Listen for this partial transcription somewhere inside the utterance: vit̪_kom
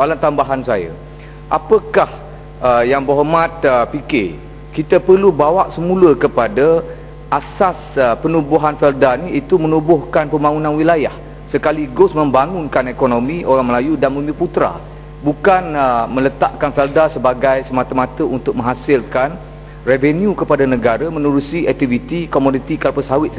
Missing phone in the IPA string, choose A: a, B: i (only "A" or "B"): B